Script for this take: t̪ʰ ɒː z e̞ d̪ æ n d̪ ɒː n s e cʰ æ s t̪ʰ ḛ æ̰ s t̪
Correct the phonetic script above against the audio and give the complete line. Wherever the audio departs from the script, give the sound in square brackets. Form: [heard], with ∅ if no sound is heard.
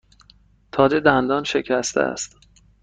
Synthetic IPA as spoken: t̪ʰ ɒː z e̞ d̪ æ n d̪ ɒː n [ʃ] e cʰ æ s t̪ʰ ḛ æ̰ s t̪